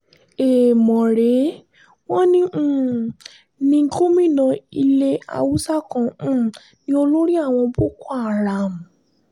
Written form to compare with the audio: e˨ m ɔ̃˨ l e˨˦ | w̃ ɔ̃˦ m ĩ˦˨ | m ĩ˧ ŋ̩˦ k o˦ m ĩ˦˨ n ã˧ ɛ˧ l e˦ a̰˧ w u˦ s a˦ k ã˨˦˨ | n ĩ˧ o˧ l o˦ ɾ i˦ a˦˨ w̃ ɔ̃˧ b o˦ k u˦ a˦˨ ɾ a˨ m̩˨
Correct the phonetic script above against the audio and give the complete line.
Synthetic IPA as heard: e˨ m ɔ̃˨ ɾ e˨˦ | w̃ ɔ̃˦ n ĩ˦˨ | n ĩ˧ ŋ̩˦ k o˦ m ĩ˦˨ n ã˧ i˧ l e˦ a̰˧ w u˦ s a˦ k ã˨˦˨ | n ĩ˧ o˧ l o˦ ɾ i˦ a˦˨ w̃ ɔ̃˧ b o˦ k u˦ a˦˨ ɾ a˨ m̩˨